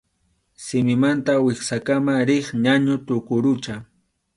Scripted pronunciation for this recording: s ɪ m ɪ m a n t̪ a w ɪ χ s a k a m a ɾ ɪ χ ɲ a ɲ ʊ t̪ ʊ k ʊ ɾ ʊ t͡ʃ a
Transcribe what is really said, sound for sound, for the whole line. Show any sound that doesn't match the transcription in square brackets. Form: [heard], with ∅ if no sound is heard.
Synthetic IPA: s ɪ m ɪ m a n t̪ a w ɪ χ s a k a m a ɾ ɪ χ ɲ a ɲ ʊ t̪ ʊ k ʊ ɾ ʊ t͡ʃ a